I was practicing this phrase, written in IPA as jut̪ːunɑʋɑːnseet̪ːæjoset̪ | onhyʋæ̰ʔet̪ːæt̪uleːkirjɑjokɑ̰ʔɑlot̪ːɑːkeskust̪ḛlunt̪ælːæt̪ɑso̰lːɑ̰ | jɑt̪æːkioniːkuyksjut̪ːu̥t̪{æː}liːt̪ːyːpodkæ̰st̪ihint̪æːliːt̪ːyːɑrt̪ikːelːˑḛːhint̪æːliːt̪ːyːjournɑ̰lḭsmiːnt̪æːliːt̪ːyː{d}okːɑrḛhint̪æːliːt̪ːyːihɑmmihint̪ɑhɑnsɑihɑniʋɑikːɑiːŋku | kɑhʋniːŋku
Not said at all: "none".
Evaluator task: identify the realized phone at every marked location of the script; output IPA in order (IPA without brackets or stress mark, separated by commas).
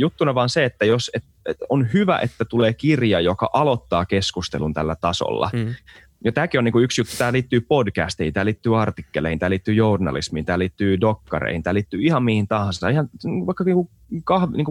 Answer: æː, d